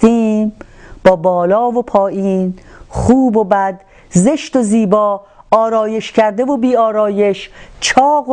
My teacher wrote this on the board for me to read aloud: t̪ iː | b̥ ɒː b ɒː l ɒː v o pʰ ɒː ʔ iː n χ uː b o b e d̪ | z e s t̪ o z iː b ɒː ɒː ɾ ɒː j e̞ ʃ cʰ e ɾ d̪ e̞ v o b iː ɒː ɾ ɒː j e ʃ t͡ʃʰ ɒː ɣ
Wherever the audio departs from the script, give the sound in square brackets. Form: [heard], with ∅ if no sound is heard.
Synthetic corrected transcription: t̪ iː | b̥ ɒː b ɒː l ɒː v o pʰ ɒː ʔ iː n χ uː b o b [æ] d̪ | z e [ʃ] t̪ o z iː b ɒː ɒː ɾ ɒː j e̞ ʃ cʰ [æ] ɾ d̪ e̞ v o b iː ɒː ɾ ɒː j e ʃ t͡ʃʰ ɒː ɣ

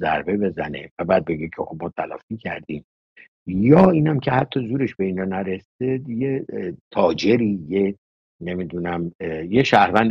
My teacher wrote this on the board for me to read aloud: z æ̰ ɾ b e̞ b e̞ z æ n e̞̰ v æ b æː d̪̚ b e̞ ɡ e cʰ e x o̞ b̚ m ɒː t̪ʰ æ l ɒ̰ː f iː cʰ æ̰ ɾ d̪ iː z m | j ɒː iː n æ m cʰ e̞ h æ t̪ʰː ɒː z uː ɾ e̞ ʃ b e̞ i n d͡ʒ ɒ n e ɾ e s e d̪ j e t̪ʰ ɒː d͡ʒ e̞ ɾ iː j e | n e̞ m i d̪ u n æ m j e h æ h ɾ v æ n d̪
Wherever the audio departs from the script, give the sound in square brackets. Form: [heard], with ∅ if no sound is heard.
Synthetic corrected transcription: z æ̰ ɾ b e̞ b e̞ z æ n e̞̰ v æ b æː d̪̚ b e̞ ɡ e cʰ e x o̞ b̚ m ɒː t̪ʰ æ l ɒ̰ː f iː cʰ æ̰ ɾ d̪ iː [∅] m | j ɒː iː n æ m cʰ e̞ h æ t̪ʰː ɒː z uː ɾ e̞ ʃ b e̞ i n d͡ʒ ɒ n [æ] ɾ e s e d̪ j e t̪ʰ ɒː d͡ʒ e̞ ɾ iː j e | n e̞ m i d̪ u n æ m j e [ʃ] æ h ɾ v æ n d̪

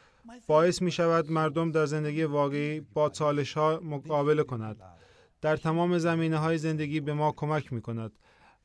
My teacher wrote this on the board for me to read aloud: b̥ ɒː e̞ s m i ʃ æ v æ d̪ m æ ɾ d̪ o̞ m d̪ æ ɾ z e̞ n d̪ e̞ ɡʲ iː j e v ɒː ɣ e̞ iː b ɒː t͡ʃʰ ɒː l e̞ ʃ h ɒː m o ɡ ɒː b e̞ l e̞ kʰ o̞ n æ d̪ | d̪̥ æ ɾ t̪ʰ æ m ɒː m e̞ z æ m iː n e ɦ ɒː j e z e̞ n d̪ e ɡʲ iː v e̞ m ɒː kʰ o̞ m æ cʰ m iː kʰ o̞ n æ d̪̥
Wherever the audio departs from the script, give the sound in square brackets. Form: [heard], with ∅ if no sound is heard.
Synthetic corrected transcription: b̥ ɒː e̞ s m [iː] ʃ æ v æ d̪ m æ ɾ d̪ o̞ m d̪ æ ɾ z e̞ n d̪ e̞ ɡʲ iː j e v ɒː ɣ e̞ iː b ɒː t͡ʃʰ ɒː l e̞ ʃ h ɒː m o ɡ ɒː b e̞ l e̞ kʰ o̞ n æ d̪ | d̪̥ æ ɾ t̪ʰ æ m ɒː m e̞ z æ m iː n e ɦ ɒː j e z e̞ n d̪ e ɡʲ iː [b] e̞ m ɒː kʰ o̞ m æ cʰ m iː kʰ o̞ n æ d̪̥

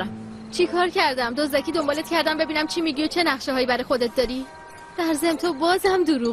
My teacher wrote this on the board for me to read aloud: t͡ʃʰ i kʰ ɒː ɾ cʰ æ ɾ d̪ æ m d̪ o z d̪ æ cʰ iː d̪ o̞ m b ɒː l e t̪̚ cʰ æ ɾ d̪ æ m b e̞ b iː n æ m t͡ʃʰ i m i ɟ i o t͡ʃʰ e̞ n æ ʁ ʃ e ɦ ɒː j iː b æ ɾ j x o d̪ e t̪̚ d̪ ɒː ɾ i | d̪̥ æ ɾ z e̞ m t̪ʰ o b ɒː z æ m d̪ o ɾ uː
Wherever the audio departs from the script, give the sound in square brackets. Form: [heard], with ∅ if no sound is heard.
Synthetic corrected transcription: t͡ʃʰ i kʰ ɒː ɾ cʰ æ ɾ d̪ æ m d̪ o z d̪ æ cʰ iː d̪ o̞ m b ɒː l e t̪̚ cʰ æ ɾ d̪ æ m b e̞ b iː n æ m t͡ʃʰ i m i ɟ i o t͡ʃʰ e̞ n æ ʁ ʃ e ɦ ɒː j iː b æ ɾ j x o d̪ e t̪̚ d̪ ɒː ɾ i | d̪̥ æ ɾ z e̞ m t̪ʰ o b ɒː z æ m d̪ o ɾ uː

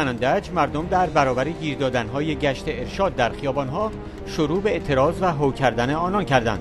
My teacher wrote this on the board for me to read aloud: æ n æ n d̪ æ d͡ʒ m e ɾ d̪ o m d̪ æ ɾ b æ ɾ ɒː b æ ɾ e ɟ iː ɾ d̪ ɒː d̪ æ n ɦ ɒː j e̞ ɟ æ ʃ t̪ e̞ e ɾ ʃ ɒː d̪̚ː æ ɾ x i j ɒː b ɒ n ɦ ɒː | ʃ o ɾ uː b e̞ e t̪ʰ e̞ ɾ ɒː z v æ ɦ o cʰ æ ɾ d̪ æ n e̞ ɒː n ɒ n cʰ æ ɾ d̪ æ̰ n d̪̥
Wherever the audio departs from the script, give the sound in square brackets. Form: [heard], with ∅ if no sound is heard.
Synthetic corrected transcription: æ n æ n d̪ æ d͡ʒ m [æ] ɾ d̪ o m d̪ æ ɾ b æ ɾ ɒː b æ ɾ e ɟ iː ɾ d̪ ɒː d̪ æ n ɦ ɒː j e̞ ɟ æ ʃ t̪ e̞ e ɾ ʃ ɒː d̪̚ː æ ɾ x i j ɒː b ɒ n ɦ ɒː | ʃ o ɾ uː b e̞ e t̪ʰ e̞ ɾ ɒː z v æ ɦ o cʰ æ ɾ d̪ æ n e̞ ɒː n ɒ n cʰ æ ɾ d̪ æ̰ n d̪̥

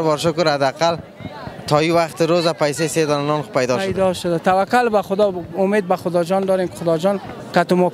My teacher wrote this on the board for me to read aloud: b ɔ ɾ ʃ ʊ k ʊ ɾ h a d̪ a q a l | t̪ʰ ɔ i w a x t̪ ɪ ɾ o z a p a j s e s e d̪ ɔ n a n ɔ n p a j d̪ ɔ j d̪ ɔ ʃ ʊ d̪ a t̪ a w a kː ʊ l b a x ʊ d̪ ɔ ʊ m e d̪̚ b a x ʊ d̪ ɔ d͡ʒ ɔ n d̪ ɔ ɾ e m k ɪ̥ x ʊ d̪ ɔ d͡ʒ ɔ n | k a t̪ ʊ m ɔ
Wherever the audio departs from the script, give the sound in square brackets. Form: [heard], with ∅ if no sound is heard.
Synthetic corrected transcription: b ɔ ɾ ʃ ʊ k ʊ ɾ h a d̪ a q a l | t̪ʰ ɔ i w a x t̪ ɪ ɾ o z a p a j s e s e d̪ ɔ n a n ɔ n p a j d̪ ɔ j d̪ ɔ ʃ ʊ d̪ a t̪ a w a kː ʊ l b a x ʊ d̪ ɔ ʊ m e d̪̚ b a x ʊ d̪ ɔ d͡ʒ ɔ n d̪ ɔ ɾ e m k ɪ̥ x ʊ d̪ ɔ d͡ʒ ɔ n | k a t̪ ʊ m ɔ

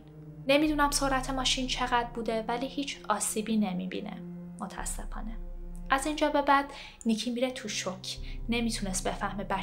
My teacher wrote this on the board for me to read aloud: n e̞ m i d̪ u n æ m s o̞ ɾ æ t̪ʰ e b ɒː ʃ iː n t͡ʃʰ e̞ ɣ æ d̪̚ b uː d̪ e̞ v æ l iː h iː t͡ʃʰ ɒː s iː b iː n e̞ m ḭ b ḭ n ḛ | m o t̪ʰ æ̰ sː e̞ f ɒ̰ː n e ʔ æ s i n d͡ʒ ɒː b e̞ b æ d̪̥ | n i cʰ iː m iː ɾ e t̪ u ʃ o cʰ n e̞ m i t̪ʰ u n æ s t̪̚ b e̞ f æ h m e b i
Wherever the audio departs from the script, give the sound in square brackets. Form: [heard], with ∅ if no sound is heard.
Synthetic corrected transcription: n e̞ m i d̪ u n æ m s o̞ ɾ æ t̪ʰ e [m] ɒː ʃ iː n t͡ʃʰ e̞ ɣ æ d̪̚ b uː d̪ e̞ v æ l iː h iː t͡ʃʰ ɒː s iː b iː n e̞ m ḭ b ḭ n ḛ | m o t̪ʰ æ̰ sː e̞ f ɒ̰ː n e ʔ æ [z] i n d͡ʒ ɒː b e̞ b æ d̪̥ | n i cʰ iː m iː ɾ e [t̪ʰ] u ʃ o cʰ n e̞ m i t̪ʰ u n [e] s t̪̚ b e̞ f æ h m e b [æ]

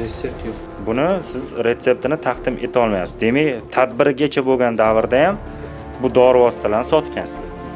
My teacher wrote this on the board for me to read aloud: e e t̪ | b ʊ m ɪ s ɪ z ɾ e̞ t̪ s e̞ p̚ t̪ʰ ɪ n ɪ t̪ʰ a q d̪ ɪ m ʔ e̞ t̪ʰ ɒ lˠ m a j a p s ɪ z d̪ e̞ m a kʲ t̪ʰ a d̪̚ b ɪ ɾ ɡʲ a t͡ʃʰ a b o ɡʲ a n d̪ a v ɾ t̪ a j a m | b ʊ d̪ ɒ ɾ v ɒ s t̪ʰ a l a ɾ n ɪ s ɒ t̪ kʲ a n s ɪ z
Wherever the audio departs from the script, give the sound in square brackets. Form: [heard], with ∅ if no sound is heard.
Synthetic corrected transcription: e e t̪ | b ʊ [n] ɪ s ɪ z ɾ e̞ t̪ s e̞ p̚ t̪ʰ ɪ n ɪ t̪ʰ a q d̪ ɪ m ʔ e̞ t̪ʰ ɒ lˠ m a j a p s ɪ z d̪ e̞ m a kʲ t̪ʰ a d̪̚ b ɪ ɾ ɡʲ a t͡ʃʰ a b o ɡʲ a n d̪ a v ɾ [d̪] a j a m | b ʊ d̪ ɒ ɾ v ɒ s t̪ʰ a l a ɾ n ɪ s ɒ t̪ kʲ a n s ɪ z

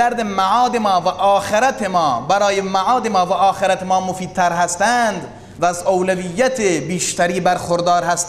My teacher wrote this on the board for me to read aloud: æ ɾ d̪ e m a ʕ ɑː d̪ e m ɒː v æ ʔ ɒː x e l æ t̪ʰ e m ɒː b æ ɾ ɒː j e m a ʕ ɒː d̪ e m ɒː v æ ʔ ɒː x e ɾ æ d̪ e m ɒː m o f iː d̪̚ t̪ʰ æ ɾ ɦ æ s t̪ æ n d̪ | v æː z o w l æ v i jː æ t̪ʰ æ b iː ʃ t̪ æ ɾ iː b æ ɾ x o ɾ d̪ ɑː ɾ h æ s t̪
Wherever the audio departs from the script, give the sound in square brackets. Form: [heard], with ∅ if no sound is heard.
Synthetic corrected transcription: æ ɾ d̪ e m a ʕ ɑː d̪ e m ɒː v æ ʔ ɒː x e [ɾ] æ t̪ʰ e m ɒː b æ ɾ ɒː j e m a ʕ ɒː d̪ e m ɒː v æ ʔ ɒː x e ɾ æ [t̪] e m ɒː m o f iː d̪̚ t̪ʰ æ ɾ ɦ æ s t̪ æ n d̪ | v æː z o w l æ v i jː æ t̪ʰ [e] b iː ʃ t̪ æ ɾ iː b æ ɾ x o ɾ d̪ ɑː ɾ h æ s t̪

